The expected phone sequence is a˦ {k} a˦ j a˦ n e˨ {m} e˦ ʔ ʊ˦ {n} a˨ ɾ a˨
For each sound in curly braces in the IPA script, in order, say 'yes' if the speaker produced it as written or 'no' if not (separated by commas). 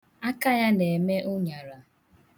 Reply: yes, yes, no